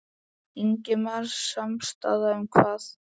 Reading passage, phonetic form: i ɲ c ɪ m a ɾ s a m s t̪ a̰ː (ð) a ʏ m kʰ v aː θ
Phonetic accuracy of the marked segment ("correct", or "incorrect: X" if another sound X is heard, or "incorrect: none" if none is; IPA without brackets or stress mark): correct